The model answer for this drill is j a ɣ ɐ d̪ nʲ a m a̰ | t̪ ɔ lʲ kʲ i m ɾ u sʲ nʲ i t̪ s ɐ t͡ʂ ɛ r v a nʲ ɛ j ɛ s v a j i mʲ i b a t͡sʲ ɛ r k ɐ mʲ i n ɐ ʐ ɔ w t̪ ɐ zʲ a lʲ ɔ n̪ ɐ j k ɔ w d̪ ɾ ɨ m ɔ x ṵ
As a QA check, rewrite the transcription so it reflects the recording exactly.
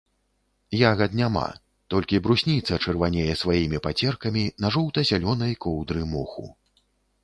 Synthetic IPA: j a ɣ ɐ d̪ nʲ a m a̰ | t̪ ɔ lʲ kʲ i b ɾ u sʲ nʲ i t̪ s ɐ t͡ʂ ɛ r v a nʲ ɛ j ɛ s v a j i mʲ i p a t͡sʲ ɛ r k ɐ mʲ i n ɐ ʐ ɔ w t̪ ɐ zʲ a lʲ ɔ n̪ ɐ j k ɔ w d̪ ɾ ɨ m ɔ x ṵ